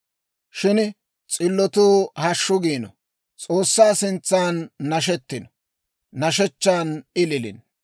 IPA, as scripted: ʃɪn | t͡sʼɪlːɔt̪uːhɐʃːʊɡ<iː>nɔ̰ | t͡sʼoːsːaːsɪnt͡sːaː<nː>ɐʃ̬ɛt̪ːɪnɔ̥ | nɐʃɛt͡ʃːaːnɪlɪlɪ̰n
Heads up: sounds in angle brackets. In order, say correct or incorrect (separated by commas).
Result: correct, correct